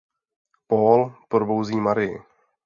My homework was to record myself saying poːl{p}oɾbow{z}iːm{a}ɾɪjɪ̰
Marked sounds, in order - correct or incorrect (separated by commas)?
correct, correct, correct